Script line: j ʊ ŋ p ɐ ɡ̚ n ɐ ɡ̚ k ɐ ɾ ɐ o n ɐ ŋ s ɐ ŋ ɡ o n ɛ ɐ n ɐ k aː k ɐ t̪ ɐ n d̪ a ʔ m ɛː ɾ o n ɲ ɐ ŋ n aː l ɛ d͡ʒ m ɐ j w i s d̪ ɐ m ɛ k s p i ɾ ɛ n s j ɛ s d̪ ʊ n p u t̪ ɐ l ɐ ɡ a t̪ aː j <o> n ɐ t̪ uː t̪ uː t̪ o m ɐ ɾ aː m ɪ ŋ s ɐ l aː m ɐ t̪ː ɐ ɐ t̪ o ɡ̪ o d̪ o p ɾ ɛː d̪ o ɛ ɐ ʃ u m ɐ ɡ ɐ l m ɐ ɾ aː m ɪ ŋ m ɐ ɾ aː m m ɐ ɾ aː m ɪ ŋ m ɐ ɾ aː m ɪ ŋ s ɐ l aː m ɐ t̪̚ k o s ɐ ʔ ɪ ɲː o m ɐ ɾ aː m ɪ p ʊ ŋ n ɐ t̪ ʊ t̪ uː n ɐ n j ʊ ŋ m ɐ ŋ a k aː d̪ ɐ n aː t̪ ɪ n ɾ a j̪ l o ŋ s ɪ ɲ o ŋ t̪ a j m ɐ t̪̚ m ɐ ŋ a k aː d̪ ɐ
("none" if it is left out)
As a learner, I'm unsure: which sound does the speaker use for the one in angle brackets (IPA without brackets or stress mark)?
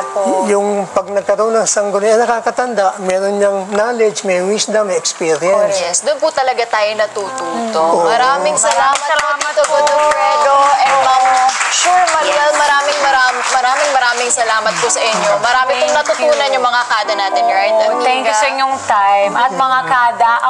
o